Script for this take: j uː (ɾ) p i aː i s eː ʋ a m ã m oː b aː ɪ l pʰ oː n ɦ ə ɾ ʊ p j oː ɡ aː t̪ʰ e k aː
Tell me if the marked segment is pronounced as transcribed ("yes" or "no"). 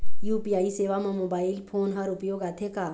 no